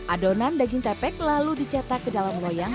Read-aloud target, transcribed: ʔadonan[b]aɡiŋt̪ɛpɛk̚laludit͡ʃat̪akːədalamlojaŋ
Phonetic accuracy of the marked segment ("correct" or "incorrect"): incorrect